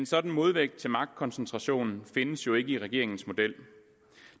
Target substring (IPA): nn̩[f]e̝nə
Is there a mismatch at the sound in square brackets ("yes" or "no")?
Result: no